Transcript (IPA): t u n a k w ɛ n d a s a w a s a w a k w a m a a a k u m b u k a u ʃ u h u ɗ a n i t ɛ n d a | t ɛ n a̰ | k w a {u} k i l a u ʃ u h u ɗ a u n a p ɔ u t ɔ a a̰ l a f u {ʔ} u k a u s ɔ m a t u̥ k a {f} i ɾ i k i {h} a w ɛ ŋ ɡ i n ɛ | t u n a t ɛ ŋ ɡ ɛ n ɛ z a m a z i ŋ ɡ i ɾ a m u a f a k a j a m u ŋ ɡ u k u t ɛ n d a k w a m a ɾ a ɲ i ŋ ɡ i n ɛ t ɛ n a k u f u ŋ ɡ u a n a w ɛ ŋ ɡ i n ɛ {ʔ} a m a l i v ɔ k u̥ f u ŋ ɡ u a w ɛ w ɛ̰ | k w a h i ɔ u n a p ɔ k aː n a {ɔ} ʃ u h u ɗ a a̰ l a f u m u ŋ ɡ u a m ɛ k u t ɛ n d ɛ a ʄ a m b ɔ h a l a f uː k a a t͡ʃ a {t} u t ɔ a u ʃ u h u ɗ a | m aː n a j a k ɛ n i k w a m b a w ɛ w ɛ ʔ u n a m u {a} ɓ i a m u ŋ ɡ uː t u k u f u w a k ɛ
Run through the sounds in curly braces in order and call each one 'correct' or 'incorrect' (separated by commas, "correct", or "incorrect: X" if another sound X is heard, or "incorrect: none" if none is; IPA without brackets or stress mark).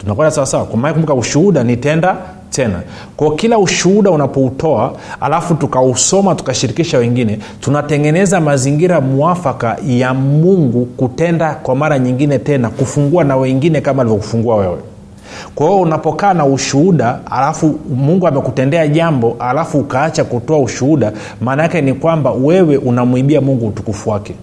incorrect: ɔ, incorrect: t, incorrect: ʃ, incorrect: ʃ, incorrect: k, incorrect: u, incorrect: k, incorrect: i